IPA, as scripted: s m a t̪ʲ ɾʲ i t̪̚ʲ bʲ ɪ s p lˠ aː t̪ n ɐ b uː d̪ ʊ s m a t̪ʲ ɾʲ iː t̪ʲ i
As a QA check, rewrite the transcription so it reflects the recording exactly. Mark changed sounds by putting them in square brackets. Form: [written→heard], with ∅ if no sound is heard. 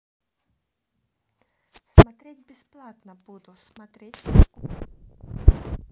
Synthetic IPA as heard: s m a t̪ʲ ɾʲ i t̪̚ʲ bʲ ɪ s p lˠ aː t̪ n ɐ b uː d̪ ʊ s m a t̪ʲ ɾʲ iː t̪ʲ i